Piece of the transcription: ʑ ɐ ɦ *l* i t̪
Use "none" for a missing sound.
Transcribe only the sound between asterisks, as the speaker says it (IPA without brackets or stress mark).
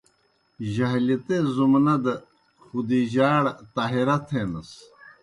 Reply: l